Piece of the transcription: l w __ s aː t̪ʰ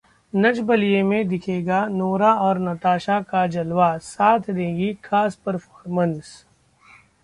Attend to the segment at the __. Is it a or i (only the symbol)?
a